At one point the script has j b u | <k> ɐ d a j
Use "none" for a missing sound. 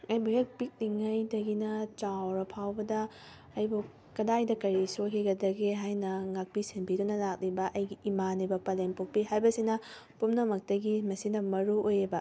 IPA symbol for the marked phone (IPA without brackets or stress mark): k